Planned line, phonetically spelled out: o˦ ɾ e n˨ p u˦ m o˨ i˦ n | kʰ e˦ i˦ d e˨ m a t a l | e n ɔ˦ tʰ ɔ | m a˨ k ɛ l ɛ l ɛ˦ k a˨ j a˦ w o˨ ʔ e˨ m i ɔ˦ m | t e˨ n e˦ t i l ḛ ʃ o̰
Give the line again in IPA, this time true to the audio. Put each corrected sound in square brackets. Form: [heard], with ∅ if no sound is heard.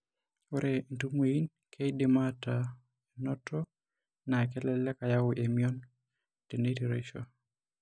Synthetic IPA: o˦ ɾ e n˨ [t] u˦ m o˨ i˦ n | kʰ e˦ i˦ d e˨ m a t a [∅] | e n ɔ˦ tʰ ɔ | [n] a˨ k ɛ l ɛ l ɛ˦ k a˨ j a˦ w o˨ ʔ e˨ m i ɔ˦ [n] | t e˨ n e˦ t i [ɾ] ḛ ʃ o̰